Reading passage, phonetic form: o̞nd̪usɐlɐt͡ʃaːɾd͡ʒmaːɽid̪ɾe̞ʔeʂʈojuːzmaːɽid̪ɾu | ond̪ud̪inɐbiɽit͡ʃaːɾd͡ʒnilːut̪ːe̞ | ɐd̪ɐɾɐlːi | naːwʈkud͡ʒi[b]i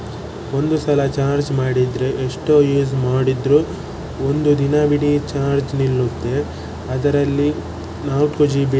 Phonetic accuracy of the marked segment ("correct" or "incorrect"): correct